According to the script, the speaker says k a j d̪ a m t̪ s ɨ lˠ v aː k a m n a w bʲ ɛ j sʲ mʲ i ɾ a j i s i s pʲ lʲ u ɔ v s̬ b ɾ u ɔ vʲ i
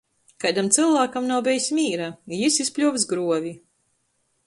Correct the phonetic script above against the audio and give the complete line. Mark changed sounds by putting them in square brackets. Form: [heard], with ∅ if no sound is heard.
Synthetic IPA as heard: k a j d̪ a m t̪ s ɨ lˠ v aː k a m n a w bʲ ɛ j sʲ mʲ [iː] ɾ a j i s i s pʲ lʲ u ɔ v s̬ [ɡ] ɾ u ɔ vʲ i